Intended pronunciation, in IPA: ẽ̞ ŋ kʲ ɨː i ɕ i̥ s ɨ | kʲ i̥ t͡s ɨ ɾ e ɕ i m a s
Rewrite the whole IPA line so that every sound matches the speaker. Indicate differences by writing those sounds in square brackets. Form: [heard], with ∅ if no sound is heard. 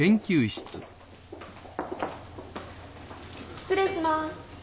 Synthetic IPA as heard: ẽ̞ ŋ kʲ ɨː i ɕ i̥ [t͡s] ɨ | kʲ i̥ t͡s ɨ ɾ e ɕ i m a s